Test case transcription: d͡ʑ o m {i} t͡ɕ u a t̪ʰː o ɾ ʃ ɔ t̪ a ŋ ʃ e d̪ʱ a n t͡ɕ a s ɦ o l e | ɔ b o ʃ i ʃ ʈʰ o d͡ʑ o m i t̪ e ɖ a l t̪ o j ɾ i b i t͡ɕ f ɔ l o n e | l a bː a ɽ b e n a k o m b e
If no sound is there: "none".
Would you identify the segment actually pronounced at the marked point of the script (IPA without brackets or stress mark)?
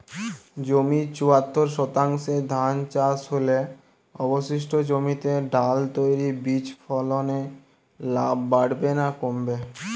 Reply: i